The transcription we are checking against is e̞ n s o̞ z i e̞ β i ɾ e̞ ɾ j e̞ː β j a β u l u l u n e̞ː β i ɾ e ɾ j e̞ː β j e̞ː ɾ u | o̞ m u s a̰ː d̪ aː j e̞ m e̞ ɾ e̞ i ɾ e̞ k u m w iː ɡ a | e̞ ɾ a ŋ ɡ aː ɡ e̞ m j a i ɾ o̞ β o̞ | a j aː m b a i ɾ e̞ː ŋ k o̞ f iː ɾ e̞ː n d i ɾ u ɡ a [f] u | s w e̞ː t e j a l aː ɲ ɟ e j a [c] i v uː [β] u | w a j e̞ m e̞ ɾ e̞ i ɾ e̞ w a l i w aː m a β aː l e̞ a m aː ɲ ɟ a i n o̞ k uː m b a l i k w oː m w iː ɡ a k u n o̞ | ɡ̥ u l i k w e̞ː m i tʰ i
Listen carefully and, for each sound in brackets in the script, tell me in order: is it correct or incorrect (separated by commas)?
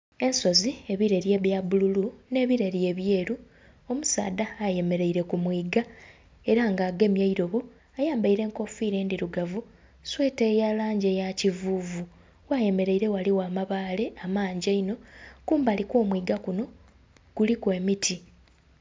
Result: incorrect, correct, incorrect